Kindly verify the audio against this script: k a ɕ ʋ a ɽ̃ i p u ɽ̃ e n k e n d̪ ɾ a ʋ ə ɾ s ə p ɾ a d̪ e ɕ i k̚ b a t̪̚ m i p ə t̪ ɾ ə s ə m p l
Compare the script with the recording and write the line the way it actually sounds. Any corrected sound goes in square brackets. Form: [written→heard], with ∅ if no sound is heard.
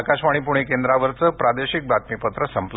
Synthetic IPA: k a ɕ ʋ a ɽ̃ i p u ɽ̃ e [n→∅] k e n d̪ ɾ a ʋ ə ɾ [s→t͡s] ə p ɾ a d̪ e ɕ i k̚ b a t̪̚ m i p ə t̪ ɾ ə s ə m p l